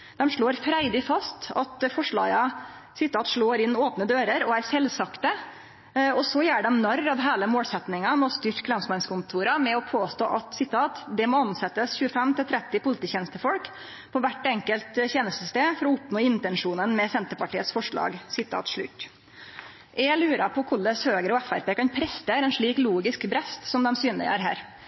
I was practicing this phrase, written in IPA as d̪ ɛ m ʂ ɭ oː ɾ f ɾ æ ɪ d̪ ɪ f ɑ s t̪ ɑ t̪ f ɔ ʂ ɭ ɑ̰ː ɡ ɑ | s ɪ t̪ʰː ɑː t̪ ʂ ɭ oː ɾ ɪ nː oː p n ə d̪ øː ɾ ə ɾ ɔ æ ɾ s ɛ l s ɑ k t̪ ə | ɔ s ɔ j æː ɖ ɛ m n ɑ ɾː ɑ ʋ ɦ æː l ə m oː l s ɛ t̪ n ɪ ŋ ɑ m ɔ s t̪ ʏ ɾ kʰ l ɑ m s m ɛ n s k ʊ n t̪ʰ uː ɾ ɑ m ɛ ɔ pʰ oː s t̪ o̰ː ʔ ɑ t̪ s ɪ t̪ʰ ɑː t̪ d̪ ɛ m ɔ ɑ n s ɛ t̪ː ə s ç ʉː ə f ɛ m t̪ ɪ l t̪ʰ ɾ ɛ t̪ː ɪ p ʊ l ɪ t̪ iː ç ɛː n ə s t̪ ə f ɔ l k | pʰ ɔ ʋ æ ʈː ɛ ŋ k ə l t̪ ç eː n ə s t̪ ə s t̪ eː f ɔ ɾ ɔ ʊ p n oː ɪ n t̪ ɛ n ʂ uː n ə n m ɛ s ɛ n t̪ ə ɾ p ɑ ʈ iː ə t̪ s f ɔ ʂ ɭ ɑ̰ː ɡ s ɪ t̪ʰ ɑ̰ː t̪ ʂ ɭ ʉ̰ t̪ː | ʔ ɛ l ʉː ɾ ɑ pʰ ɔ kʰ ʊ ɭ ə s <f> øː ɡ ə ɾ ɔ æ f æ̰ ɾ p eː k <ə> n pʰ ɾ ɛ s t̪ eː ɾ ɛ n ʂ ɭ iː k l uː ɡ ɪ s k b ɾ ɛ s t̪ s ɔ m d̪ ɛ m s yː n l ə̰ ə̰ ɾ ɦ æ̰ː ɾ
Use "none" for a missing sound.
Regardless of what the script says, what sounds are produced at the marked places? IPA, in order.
h, ɑ

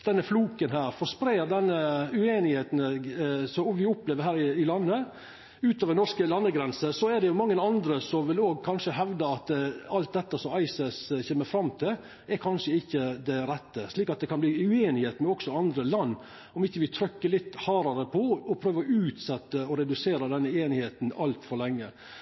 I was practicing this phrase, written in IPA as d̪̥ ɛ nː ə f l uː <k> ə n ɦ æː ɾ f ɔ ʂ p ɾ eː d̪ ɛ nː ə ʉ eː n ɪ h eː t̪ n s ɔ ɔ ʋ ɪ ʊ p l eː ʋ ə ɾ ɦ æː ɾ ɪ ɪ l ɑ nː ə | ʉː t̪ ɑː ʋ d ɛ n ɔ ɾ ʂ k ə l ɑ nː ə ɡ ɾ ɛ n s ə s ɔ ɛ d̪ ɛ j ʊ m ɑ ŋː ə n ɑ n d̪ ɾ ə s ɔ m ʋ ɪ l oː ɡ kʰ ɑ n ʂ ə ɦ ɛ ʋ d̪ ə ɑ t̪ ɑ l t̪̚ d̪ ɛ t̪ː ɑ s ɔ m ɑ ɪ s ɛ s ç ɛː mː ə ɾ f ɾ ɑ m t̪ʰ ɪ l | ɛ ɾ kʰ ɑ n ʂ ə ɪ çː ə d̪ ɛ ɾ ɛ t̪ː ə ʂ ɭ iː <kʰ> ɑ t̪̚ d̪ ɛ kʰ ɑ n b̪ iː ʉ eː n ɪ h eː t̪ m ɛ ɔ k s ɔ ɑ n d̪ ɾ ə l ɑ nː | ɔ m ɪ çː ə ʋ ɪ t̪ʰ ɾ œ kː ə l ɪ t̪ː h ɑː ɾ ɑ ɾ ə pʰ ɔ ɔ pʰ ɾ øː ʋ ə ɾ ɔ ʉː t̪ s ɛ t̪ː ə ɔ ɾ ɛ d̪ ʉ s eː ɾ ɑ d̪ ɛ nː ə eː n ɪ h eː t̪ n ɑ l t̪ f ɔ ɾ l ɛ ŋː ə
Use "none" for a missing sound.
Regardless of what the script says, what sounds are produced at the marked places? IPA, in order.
k, k

